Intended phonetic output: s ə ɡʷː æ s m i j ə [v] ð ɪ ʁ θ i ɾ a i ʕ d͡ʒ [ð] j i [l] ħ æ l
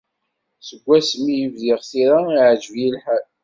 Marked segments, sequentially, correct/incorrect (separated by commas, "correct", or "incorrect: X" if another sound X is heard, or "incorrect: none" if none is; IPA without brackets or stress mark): correct, incorrect: v, correct